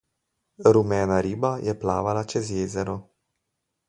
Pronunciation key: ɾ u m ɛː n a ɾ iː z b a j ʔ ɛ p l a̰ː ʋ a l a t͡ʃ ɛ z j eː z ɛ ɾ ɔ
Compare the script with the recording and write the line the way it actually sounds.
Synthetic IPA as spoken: ɾ u m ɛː n a ɾ iː b a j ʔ ɛ p l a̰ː ʋ a l a t͡ʃ ɛ z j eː z ɛ ɾ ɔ